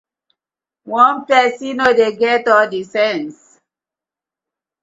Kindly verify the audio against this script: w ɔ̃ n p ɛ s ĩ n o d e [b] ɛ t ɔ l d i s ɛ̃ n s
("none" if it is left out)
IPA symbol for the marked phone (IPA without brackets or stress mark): ɡ